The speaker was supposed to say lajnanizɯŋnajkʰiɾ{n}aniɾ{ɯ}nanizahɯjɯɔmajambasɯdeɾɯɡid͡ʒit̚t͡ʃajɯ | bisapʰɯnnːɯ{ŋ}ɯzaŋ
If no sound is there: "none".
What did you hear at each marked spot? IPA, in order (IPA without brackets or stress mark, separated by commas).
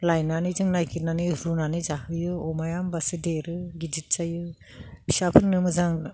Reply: n, u, m